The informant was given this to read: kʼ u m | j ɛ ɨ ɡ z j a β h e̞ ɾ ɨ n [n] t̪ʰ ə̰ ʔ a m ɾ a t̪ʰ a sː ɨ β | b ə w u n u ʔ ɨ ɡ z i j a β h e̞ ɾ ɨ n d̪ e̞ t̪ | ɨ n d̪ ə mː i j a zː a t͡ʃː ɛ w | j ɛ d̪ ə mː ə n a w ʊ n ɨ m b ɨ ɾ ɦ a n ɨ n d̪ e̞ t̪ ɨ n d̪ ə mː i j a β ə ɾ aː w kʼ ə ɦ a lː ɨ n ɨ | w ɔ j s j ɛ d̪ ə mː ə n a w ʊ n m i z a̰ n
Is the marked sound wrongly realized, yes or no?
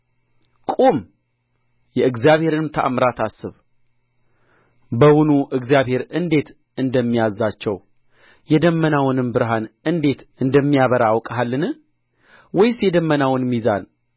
yes